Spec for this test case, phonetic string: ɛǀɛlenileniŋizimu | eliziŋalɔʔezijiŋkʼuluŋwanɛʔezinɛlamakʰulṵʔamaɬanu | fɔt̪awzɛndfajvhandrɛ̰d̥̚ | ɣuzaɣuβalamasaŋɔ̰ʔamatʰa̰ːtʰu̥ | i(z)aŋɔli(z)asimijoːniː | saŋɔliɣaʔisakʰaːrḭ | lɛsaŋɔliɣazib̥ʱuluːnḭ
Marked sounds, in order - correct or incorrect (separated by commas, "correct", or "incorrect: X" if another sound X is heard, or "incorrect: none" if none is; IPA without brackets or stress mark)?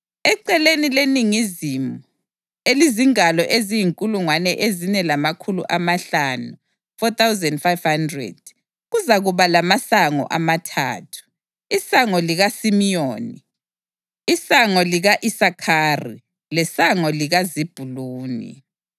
incorrect: s, incorrect: ɣ